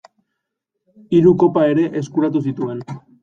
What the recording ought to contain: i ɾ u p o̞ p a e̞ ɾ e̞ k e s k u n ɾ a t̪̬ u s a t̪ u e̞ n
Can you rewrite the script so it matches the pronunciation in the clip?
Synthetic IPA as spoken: i ɾ u k o̞ p a e̞ ɾ e̞ ʔ e s k u ɾ a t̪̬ u s i t̪ u e̞ n